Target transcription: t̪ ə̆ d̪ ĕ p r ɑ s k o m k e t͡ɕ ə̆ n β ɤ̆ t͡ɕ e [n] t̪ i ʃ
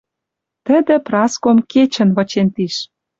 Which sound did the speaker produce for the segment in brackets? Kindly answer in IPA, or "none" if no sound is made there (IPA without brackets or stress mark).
n